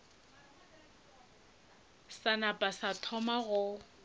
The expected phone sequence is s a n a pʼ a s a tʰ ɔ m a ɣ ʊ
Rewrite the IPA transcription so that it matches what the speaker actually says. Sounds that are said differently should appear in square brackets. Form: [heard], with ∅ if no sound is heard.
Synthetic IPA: s a n a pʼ a s a tʰ ɔ m a ɣ ʊ